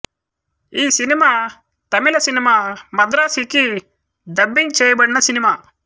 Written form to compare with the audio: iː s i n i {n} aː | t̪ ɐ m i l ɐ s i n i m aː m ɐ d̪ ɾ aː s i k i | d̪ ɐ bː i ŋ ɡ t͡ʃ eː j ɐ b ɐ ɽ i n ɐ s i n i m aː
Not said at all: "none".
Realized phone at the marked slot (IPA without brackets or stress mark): m